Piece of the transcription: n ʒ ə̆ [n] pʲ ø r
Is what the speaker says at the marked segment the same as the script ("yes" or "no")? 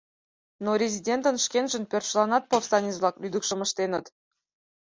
yes